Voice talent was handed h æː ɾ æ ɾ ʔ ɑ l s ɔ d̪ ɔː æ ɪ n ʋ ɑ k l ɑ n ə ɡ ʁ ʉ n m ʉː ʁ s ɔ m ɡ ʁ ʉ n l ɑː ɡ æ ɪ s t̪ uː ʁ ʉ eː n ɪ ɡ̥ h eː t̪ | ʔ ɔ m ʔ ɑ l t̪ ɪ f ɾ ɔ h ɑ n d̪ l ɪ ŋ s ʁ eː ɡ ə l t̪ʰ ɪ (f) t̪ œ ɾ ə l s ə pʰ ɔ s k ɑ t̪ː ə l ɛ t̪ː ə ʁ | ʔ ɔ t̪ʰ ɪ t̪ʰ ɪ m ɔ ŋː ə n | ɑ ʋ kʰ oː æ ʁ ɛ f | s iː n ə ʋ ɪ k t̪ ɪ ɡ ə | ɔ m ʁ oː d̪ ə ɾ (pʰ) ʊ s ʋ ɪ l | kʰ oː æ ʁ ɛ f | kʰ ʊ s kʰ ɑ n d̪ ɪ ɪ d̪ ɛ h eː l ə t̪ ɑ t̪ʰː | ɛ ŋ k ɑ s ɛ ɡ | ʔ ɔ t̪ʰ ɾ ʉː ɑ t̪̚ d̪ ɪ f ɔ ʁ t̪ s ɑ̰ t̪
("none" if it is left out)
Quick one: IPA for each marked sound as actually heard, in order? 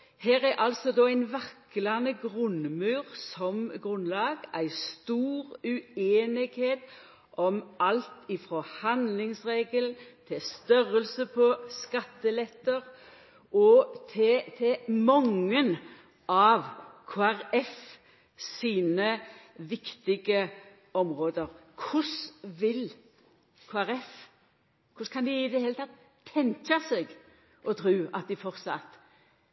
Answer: s, kʰ

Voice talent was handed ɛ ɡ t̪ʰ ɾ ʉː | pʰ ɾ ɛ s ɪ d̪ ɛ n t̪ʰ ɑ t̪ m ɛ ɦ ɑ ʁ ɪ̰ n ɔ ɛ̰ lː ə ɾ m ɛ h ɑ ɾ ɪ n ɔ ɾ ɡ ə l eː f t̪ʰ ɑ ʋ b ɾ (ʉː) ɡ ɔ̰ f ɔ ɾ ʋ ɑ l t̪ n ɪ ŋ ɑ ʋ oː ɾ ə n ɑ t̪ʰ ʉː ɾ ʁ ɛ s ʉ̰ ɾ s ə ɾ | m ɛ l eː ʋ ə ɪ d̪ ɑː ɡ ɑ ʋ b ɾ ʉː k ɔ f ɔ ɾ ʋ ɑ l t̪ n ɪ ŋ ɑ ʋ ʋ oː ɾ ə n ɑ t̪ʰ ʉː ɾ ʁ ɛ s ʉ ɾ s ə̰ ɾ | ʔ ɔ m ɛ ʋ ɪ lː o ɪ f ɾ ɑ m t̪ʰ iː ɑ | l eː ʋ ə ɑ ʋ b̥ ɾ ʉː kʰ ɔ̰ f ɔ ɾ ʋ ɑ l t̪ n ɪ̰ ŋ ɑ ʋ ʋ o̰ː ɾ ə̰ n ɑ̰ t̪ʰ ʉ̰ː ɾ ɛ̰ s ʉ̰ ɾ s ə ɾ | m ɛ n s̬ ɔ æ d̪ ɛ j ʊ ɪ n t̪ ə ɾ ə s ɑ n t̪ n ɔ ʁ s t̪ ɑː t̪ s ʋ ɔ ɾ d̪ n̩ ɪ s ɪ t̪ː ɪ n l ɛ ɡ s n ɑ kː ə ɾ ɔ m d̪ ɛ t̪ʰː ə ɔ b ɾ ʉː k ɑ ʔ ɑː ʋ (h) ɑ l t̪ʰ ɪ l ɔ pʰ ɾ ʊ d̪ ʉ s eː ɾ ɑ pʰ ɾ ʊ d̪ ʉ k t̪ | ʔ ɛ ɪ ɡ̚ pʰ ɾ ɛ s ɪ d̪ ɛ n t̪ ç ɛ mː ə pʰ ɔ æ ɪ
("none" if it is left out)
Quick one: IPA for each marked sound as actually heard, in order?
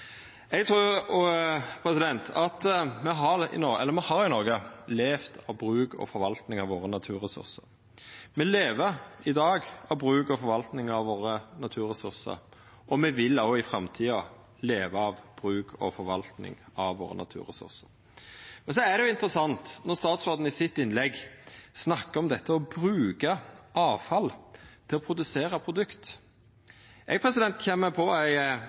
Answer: ʉː, f

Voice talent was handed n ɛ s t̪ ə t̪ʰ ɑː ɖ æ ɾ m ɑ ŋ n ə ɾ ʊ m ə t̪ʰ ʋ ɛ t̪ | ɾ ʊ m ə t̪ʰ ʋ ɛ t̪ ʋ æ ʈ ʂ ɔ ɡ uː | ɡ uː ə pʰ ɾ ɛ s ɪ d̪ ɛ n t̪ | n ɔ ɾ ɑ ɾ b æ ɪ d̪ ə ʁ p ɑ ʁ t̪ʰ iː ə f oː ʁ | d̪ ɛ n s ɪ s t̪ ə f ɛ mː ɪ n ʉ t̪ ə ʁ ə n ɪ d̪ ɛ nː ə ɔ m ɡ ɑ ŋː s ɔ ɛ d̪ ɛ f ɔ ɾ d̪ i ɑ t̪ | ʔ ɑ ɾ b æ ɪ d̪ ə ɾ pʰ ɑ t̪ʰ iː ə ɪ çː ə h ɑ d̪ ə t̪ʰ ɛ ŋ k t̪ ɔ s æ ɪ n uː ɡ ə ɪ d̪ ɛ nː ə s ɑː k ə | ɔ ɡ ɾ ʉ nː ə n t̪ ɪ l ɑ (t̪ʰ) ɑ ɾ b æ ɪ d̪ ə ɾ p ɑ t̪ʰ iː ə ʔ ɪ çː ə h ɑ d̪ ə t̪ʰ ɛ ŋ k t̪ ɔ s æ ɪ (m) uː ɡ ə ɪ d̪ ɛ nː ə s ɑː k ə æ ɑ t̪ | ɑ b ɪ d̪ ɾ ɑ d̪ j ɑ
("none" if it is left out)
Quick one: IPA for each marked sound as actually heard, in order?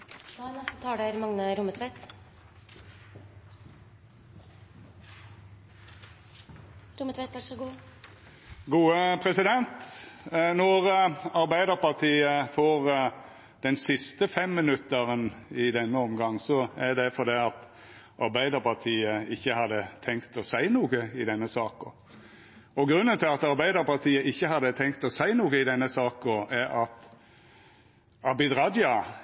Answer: t̪, n

